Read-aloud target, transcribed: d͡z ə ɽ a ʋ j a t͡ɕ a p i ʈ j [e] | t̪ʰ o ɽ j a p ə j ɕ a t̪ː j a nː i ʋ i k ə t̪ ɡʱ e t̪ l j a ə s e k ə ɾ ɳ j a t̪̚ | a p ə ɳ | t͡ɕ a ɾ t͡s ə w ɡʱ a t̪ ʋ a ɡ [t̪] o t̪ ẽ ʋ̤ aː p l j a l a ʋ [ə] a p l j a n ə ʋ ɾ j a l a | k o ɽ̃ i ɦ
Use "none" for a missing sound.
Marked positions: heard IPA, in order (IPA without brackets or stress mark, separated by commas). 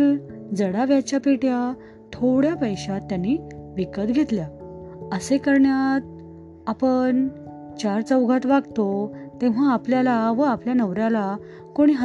a, t̪, ə